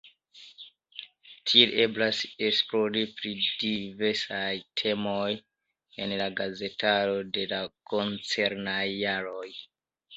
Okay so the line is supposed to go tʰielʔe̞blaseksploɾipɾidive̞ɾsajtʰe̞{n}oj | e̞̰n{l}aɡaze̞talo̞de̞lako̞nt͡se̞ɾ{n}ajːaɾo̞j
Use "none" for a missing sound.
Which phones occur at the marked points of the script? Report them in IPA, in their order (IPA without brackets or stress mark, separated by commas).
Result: m, l, n